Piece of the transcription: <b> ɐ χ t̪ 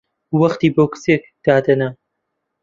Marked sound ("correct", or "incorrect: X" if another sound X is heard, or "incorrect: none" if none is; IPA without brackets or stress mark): incorrect: w